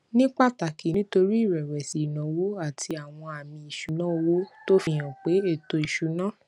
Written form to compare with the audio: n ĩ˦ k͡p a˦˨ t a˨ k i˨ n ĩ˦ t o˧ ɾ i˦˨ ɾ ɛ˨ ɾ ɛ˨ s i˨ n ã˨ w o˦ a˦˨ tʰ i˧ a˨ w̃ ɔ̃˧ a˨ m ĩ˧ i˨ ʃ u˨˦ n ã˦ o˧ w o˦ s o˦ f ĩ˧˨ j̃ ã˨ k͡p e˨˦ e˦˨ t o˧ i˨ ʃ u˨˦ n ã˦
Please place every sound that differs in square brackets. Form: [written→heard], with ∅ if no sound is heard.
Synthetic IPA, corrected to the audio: n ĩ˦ k͡p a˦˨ t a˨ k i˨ n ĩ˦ t o˧ ɾ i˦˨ ɾ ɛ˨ ɾ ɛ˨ s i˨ n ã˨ w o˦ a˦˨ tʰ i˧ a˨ w̃ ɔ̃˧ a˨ m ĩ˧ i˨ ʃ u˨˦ n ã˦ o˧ w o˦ [s→t] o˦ f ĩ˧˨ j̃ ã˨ k͡p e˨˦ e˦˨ t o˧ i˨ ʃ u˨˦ n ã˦